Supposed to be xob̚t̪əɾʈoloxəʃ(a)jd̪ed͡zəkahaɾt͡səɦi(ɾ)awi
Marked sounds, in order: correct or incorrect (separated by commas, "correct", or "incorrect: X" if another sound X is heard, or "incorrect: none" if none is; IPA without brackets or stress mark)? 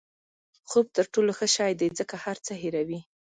incorrect: ɑ, correct